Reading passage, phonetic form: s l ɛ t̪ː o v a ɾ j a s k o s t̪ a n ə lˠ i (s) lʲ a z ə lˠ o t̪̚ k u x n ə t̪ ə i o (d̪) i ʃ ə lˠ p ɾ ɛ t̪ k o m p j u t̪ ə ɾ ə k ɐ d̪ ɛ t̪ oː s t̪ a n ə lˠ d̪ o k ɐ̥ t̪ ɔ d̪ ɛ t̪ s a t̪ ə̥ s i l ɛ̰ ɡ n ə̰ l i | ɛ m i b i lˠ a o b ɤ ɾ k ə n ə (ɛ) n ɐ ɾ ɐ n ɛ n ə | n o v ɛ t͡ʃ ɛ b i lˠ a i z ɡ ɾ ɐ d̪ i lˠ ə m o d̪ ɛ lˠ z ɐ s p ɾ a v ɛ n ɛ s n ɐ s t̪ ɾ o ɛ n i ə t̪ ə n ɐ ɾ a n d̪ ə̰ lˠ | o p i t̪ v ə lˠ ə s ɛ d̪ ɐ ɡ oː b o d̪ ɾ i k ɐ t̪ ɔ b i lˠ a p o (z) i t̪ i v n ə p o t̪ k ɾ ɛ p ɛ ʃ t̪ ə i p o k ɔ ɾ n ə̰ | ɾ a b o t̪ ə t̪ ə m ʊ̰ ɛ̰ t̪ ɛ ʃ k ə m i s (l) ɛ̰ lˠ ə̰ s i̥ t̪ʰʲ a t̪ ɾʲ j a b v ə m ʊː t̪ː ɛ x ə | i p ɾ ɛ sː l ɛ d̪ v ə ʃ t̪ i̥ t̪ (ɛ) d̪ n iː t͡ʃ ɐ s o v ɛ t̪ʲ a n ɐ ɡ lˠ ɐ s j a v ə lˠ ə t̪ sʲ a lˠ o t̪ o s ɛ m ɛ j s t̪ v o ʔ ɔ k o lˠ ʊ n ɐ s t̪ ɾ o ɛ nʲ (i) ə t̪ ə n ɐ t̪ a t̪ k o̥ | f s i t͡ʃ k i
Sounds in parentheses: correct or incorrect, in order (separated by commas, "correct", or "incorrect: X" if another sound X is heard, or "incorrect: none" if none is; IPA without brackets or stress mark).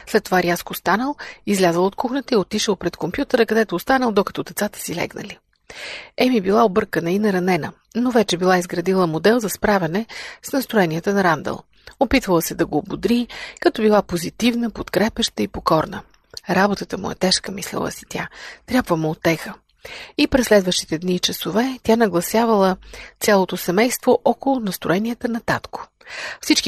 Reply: incorrect: z, incorrect: t̪, incorrect: i, correct, correct, correct, correct